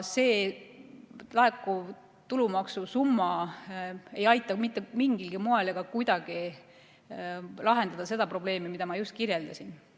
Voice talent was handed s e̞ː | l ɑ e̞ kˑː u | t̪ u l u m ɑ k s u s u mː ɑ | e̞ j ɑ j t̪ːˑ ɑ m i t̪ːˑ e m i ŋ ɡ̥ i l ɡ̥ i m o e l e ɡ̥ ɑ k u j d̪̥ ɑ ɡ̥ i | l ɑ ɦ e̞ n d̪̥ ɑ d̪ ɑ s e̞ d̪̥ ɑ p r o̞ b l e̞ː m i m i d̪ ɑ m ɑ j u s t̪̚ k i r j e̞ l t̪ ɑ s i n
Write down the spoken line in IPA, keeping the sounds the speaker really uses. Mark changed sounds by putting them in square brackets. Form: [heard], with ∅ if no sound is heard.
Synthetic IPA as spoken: s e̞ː | l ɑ e̞ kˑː u | t̪ u l u m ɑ k s u s u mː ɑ | e̞ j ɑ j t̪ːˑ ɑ m i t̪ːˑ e m i ŋ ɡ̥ i l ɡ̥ i m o e l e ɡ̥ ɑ k u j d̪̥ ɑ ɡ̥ i | l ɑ ɦ e̞ n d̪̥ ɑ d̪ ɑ s e̞ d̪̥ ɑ p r o̞ b l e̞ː m i m i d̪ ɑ m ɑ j u s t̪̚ k i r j e̞ l [d̪] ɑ s i n